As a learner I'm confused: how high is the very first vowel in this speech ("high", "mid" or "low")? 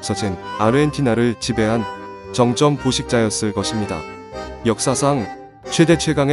mid